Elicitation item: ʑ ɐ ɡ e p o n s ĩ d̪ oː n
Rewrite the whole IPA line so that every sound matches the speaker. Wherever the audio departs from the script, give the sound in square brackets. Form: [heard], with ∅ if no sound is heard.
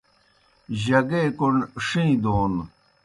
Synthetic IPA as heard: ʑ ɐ ɡ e [k] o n [ʂ] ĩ d̪ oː n